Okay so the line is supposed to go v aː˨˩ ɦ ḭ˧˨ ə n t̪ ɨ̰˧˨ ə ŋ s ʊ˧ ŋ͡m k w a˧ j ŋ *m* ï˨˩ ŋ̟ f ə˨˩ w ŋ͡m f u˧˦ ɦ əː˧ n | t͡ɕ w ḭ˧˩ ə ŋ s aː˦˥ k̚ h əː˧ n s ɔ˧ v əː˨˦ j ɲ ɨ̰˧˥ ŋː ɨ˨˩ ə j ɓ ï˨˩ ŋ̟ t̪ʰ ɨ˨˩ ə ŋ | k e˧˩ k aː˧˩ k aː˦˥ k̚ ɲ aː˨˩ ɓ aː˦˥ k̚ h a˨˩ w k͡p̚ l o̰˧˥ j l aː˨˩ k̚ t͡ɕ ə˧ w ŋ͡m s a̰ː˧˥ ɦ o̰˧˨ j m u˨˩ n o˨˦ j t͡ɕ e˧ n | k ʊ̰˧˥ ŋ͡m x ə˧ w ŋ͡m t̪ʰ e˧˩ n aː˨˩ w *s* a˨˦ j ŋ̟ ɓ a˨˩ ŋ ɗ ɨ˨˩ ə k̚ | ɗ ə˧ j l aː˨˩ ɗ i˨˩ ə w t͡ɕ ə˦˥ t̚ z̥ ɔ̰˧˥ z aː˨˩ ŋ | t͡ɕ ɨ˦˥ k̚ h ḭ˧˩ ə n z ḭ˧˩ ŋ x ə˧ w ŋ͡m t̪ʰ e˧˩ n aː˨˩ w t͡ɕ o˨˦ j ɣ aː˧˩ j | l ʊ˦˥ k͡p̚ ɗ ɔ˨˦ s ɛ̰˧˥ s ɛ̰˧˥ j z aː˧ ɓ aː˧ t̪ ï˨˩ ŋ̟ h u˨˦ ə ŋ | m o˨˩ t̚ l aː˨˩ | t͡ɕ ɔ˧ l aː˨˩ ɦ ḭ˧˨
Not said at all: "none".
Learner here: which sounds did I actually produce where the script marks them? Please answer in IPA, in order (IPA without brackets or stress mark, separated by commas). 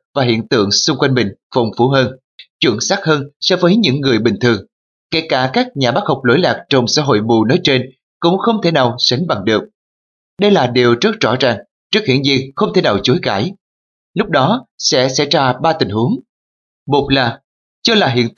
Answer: m, s